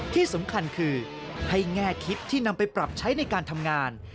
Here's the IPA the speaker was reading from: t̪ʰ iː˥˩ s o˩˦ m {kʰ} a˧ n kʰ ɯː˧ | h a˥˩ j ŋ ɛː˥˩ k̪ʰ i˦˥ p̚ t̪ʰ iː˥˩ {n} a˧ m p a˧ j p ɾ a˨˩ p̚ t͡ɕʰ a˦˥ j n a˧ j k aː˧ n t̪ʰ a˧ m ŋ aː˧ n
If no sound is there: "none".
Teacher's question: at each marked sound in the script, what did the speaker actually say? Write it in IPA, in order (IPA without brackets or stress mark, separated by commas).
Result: kʰ, n